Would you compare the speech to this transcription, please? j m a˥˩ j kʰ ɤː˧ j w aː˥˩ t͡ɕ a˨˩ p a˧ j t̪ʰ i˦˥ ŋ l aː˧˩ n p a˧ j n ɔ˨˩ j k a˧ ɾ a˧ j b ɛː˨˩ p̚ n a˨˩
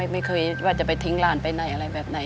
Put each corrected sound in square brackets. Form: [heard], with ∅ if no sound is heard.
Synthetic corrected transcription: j m a˥˩ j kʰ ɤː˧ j w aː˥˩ t͡ɕ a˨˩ p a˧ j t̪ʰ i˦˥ ŋ l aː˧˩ n p a˧ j n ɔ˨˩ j [ʔ] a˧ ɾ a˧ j b ɛː˨˩ p̚ n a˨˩